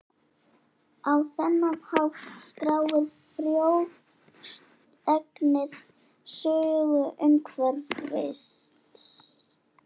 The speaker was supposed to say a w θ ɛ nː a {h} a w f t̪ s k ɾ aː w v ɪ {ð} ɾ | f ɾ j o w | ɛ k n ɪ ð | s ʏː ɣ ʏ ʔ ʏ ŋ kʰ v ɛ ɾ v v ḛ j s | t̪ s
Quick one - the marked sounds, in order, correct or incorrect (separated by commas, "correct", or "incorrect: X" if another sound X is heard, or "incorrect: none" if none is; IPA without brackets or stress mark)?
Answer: correct, incorrect: none